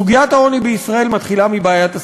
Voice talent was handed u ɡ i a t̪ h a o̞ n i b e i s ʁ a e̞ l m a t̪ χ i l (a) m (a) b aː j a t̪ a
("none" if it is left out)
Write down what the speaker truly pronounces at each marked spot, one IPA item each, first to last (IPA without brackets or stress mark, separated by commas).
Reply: a, i